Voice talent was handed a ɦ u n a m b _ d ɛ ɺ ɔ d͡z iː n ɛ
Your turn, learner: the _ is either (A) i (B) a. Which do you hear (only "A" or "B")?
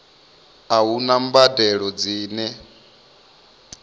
B